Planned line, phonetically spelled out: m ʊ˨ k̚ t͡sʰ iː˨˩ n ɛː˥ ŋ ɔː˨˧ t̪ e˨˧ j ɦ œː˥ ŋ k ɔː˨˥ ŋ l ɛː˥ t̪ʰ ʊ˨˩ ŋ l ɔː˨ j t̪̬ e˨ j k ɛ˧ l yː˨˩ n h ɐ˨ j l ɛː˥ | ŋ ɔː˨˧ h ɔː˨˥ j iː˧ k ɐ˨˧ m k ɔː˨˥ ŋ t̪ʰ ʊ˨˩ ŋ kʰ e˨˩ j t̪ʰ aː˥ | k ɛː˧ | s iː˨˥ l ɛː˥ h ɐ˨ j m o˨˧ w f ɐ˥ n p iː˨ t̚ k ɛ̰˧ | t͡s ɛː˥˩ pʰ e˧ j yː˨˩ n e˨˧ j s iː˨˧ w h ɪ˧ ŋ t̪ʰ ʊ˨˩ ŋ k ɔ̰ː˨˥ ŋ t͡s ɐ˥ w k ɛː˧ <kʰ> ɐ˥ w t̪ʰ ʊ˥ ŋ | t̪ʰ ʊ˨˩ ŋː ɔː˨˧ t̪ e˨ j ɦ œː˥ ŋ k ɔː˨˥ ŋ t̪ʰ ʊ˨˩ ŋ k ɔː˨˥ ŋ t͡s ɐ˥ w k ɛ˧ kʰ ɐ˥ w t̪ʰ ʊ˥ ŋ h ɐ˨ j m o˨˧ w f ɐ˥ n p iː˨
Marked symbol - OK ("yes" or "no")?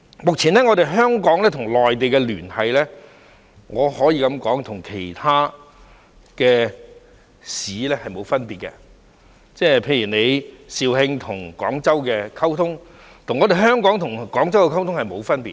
yes